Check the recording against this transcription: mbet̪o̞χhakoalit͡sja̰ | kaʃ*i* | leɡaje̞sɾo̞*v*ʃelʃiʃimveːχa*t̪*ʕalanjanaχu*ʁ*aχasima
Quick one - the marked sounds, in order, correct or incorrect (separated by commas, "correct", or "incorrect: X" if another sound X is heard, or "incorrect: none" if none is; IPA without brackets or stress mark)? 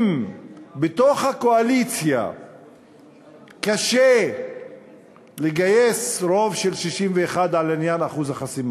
incorrect: e, correct, incorrect: d̪, incorrect: z